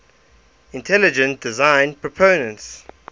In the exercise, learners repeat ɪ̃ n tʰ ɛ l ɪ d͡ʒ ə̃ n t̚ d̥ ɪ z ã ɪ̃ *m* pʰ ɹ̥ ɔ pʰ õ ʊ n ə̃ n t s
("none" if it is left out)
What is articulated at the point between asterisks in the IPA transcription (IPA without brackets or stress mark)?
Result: n